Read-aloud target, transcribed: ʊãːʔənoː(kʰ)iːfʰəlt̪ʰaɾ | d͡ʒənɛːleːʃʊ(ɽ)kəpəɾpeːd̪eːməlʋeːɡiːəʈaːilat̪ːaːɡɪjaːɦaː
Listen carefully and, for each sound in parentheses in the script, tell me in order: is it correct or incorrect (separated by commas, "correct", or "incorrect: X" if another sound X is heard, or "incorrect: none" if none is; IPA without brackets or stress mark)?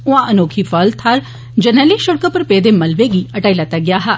correct, correct